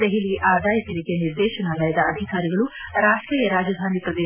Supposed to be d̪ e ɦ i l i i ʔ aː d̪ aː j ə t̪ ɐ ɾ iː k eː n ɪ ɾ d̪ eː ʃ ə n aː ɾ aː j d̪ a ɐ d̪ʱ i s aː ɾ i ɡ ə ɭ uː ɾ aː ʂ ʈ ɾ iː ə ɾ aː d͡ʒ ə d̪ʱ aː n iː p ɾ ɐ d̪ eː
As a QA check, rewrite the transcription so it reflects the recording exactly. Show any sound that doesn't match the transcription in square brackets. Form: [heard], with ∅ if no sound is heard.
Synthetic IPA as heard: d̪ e ɦ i l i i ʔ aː d̪ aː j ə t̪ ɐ ɾ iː k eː n ɪ ɾ d̪ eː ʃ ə n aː [l] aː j d̪ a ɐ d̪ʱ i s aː ɾ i ɡ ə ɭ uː ɾ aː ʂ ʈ ɾ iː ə ɾ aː d͡ʒ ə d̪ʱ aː n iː p ɾ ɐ d̪ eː